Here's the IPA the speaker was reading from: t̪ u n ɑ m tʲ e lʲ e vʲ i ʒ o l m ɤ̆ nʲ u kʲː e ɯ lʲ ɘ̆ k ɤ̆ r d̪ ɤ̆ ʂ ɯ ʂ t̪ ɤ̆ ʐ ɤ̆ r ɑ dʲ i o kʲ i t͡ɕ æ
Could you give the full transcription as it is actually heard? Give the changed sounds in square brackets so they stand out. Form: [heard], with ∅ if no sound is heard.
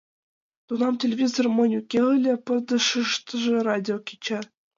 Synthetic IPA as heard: t̪ u n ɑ m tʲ e lʲ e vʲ i [z] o [r] m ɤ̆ nʲ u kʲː e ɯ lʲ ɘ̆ [p] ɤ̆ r d̪ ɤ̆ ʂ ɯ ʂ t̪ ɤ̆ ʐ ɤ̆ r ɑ dʲ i o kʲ i t͡ɕ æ

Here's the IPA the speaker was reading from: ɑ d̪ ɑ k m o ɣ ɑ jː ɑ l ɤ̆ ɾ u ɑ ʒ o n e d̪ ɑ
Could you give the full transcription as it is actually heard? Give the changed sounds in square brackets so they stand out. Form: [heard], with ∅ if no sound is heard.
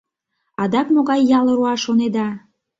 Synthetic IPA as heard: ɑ d̪ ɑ k m o ɣ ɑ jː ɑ l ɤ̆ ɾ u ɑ [ʃ] o n e d̪ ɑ

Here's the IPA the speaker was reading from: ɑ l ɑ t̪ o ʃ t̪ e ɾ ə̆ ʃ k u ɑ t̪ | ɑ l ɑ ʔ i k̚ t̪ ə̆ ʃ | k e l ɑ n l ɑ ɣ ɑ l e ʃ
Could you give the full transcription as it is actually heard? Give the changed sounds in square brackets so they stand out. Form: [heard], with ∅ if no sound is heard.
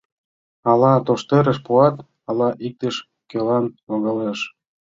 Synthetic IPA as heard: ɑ l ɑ t̪ o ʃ t̪ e ɾ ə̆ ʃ [p] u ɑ t̪ | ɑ l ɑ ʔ i k̚ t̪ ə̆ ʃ | k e l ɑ n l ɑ ɣ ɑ l e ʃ

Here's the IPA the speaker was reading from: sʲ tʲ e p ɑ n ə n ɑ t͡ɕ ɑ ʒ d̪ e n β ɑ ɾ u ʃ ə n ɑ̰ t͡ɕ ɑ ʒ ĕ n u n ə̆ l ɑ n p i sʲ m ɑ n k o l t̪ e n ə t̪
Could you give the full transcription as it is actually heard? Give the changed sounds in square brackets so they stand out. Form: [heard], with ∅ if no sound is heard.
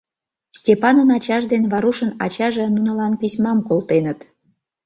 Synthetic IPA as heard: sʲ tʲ e p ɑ n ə n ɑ t͡ɕ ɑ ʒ d̪ e n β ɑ ɾ u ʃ ə n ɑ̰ t͡ɕ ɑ ʒ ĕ n u n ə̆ l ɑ n p i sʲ m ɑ [m] k o l t̪ e n ə t̪

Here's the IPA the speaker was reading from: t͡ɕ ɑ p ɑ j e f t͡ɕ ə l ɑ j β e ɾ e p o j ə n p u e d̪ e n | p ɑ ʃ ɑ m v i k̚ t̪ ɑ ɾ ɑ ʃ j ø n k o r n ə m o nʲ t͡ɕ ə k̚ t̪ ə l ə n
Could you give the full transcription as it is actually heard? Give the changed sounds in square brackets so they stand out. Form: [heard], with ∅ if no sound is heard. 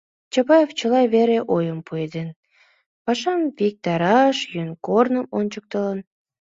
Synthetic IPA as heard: t͡ɕ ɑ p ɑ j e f t͡ɕ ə l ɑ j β e ɾ e [ʔ] o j ə [m] p u e d̪ e n | p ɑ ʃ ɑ m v i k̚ t̪ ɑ ɾ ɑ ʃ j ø n k o r n ə m o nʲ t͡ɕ ə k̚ t̪ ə l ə n

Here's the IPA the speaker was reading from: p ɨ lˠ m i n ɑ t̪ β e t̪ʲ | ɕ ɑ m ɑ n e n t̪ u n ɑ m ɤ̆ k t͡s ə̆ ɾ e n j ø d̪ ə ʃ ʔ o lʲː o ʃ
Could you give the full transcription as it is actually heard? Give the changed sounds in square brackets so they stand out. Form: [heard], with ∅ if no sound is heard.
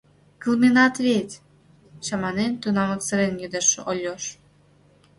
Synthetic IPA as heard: [k] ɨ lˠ m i n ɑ t̪ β e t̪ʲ | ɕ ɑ m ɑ n e n t̪ u n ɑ m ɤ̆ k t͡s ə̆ ɾ e n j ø d̪ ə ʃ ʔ o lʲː o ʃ

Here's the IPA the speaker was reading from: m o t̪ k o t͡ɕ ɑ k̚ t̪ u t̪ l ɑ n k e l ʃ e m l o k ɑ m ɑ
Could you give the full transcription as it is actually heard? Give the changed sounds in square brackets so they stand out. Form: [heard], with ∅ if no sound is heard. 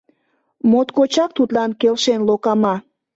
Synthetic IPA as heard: m o t̪ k o t͡ɕ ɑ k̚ t̪ u t̪ l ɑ n k e l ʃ e [n] l o k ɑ m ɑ

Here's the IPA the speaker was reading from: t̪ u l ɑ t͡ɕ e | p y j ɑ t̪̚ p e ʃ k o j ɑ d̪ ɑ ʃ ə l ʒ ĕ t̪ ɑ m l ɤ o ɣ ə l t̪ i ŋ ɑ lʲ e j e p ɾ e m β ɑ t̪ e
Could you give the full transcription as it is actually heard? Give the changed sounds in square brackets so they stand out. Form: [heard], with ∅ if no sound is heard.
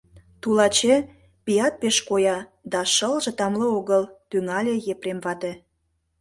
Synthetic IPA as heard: t̪ u l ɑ t͡ɕ e | p [i] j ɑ t̪̚ p e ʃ k o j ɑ d̪ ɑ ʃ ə l ʒ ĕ t̪ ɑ m l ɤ o ɣ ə l t̪ [y] ŋ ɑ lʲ e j e p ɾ e m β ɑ t̪ e

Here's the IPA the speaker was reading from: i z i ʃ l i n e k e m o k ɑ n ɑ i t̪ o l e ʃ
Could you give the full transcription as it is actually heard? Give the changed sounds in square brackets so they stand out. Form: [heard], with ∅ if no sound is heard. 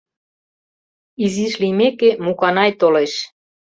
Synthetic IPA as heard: i z i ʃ l i [m] e k e m [u] k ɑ n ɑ [j] t̪ o l e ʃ

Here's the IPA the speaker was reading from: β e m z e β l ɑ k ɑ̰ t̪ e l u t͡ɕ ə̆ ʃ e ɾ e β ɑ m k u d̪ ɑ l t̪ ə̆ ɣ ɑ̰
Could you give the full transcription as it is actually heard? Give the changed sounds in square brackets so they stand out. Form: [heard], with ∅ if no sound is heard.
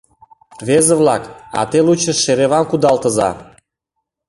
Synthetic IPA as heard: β e [∅] z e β l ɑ k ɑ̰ t̪ e l u t͡ɕ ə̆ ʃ e ɾ e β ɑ m k u d̪ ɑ l t̪ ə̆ [z] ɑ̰

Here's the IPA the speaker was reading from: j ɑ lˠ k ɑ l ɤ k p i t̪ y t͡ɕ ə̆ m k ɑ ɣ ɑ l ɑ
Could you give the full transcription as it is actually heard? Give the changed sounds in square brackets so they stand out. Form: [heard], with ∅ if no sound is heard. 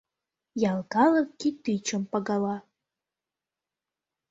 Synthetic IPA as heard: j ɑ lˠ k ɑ l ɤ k [k] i t̪ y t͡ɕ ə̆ m [p] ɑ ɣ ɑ l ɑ

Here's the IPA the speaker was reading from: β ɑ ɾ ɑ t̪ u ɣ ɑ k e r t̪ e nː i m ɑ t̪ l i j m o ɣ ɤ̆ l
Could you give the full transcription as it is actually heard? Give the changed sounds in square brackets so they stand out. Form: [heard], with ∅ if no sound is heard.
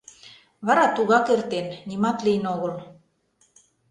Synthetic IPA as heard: β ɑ ɾ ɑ t̪ u ɣ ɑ k e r t̪ e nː i m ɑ t̪ l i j [n] o ɣ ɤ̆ l

